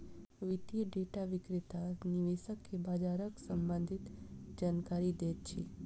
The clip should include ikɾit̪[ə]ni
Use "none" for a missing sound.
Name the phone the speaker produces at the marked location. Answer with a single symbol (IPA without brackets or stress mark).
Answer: a